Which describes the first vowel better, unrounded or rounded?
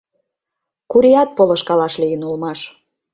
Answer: rounded